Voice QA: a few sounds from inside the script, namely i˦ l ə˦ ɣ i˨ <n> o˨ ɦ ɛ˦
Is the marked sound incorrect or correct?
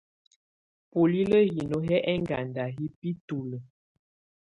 correct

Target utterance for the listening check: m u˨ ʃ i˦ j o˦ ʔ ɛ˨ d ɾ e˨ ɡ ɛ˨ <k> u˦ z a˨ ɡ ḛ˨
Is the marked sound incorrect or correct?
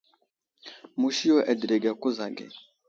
correct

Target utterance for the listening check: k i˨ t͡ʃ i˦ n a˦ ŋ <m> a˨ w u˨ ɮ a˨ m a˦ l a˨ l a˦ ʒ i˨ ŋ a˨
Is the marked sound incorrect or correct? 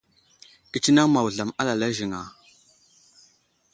correct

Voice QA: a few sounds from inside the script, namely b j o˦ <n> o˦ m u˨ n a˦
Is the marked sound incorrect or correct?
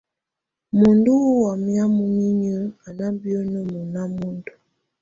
correct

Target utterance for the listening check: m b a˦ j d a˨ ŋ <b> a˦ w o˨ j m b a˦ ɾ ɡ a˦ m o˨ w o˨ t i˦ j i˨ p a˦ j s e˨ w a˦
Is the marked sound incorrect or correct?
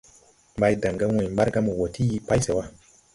incorrect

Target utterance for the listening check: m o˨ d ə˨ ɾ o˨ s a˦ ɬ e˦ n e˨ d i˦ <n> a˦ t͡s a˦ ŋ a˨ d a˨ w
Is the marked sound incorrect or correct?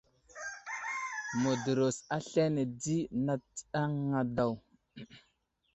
correct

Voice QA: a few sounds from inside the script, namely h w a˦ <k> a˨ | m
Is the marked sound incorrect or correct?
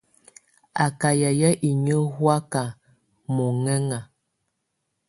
correct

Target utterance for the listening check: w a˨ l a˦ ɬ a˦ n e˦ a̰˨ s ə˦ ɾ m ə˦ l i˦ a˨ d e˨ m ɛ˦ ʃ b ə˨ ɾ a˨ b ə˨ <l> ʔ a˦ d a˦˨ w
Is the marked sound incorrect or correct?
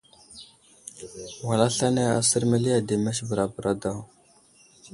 incorrect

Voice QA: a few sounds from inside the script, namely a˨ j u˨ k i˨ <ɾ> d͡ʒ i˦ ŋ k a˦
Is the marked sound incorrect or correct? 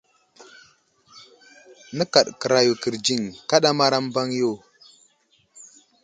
correct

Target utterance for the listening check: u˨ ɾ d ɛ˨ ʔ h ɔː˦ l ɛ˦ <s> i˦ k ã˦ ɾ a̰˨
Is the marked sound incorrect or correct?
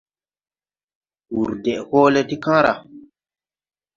incorrect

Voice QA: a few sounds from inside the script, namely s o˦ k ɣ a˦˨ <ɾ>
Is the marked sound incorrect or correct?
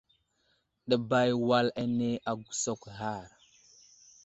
correct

